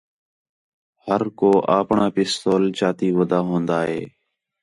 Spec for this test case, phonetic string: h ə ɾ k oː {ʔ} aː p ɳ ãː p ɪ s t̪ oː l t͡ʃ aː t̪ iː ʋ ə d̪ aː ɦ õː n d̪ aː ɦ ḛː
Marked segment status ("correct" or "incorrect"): correct